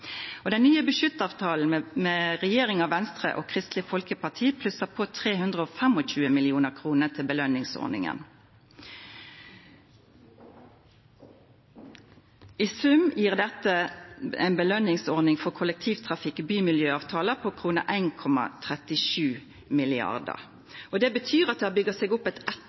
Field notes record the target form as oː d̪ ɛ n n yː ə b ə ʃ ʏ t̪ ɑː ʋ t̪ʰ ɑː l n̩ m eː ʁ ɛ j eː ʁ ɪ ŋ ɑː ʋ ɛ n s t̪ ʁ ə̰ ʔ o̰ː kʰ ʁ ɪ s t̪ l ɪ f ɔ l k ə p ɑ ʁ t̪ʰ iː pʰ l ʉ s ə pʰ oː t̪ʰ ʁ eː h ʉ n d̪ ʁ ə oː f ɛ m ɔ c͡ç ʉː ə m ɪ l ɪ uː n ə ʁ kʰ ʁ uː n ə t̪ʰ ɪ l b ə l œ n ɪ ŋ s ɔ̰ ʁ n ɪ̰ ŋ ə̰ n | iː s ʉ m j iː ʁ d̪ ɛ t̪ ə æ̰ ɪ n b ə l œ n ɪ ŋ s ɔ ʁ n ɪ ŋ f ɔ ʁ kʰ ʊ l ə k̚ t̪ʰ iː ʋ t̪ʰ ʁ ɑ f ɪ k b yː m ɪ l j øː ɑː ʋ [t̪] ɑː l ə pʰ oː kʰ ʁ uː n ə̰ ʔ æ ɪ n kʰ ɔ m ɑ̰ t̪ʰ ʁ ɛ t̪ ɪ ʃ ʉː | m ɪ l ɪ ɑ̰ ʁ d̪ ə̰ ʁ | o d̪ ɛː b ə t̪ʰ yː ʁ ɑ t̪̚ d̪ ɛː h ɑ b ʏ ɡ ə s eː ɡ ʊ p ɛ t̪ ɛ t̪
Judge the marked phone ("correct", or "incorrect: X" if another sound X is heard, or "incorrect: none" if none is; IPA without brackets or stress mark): incorrect: t̪ʰ